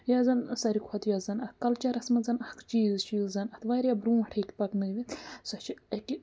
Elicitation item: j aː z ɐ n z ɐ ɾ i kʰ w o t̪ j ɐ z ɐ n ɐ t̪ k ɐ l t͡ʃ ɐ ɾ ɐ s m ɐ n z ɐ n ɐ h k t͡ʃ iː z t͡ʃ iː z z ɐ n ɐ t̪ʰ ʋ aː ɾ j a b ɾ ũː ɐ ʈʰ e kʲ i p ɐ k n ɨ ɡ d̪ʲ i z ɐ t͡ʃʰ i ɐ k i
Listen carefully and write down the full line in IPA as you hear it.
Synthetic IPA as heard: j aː z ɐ n s ɐ ɾ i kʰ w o t̪ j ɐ z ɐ n ɐ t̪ k ɐ l t͡ʃ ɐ ɾ ɐ s m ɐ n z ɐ n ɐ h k t͡ʃ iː z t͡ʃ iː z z ɐ n ɐ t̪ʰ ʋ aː ɾ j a b ɾ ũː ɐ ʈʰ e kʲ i p ɐ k n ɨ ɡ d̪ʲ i s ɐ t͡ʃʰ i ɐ k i